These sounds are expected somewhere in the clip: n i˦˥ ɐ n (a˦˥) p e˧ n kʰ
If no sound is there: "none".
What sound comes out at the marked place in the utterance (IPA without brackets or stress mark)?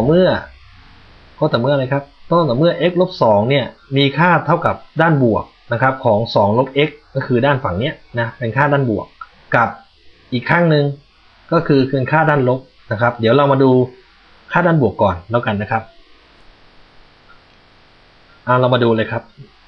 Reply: a˦˥